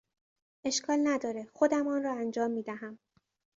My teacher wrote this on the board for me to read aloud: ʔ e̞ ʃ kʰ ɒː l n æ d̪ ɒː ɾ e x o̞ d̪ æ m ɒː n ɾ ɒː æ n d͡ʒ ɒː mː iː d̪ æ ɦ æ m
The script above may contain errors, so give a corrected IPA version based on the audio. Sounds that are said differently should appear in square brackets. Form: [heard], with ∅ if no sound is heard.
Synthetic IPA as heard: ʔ e̞ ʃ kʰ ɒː l n æ d̪ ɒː ɾ e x o̞ d̪ æ m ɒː n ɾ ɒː æ n d͡ʒ ɒː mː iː d̪ æ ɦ æ m